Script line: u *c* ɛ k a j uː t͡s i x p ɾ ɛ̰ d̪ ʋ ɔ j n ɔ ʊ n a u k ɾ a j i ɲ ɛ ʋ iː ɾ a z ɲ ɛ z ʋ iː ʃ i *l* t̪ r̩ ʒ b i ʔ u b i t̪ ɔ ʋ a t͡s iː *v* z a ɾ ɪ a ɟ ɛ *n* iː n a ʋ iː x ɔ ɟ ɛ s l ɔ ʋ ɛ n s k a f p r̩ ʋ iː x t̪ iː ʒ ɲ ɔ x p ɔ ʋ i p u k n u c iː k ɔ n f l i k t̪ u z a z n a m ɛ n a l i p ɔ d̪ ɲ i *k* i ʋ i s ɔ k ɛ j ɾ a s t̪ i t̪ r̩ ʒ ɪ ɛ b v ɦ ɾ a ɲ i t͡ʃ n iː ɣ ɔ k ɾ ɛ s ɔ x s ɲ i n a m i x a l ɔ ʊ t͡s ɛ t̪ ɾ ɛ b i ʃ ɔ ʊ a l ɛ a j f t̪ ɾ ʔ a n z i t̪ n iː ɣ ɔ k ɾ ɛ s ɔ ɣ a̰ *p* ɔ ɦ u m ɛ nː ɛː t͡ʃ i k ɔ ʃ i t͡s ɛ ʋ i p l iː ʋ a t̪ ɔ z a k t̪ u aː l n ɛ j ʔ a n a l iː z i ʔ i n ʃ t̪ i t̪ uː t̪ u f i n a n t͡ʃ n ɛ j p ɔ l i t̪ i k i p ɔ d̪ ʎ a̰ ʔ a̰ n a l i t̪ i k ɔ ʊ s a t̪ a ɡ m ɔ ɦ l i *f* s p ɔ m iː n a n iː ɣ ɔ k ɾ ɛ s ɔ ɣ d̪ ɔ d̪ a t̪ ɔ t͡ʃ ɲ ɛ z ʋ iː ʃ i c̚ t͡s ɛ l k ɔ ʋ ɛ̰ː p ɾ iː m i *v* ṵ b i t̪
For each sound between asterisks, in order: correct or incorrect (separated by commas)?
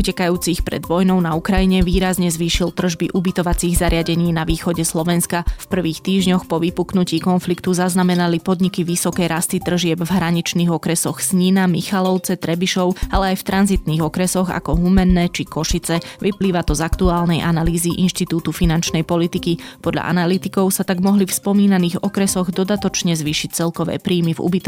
correct, correct, incorrect, incorrect, correct, incorrect, correct, correct